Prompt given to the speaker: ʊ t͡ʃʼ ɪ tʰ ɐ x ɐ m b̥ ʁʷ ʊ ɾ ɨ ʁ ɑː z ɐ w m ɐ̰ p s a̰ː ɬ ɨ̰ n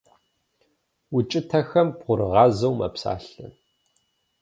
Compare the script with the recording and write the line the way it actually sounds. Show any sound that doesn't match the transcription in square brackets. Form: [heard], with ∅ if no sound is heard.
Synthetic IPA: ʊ t͡ʃʼ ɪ tʰ ɐ x ɐ m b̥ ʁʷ ʊ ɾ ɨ ʁ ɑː z ɐ w m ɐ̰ p s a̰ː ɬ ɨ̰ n